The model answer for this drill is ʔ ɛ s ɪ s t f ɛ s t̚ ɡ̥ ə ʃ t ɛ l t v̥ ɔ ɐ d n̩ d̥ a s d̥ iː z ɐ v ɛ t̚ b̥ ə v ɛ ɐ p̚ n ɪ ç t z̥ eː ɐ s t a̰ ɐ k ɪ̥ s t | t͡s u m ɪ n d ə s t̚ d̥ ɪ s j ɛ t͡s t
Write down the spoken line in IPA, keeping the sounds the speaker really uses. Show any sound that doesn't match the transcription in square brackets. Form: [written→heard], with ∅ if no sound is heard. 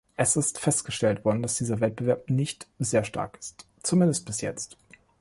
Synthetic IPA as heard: ʔ ɛ s ɪ s t f ɛ s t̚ ɡ̥ ə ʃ t ɛ l t v̥ ɔ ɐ d n̩ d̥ a s d̥ iː z ɐ v ɛ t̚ b̥ ə v ɛ ɐ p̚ n ɪ ç t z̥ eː ɐ [s→ʃ] t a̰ ɐ k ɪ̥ s t | t͡s u m ɪ n d ə s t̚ [d̥→b̥] ɪ s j ɛ t͡s t